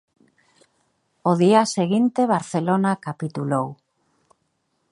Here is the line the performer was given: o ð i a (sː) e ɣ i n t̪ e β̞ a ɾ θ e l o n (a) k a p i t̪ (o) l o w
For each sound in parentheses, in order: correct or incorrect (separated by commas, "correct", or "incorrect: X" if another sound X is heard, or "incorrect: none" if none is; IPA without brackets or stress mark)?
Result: incorrect: s, correct, incorrect: u